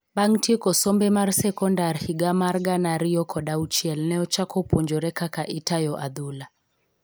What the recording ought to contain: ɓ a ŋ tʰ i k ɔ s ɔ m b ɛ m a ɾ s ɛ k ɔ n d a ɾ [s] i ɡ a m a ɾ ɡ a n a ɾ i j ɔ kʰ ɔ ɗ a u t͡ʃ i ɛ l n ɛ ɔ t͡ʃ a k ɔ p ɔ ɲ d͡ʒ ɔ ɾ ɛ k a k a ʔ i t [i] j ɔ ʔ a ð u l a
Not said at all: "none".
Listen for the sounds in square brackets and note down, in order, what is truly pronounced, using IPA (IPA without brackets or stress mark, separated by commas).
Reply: h, a